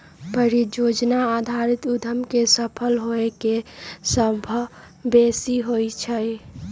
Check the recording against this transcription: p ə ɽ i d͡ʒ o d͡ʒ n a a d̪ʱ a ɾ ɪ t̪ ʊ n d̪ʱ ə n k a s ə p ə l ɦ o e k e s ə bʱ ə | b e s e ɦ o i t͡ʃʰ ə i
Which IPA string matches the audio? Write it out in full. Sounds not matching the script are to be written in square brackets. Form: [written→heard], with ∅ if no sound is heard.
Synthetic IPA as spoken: p ə [ɽ→ɾ] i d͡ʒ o d͡ʒ n a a d̪ʱ a ɾ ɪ t̪ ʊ [n→∅] d̪ʱ ə [n→m] k [a→e] s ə [p→pʰ] ə l ɦ o e k e s ə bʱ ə | b e s [e→i] ɦ o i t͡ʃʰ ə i